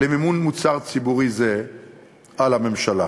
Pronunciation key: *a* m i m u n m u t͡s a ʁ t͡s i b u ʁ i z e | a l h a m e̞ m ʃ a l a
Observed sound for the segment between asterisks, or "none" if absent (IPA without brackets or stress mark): e